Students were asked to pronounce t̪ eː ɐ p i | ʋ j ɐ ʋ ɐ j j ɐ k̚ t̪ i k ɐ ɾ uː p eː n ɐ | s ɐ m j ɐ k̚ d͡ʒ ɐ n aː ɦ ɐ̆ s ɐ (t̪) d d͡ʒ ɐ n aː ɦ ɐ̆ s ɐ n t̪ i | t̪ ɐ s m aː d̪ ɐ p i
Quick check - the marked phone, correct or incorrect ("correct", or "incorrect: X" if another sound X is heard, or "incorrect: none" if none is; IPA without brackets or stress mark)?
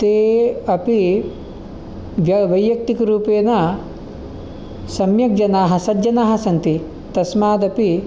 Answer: incorrect: none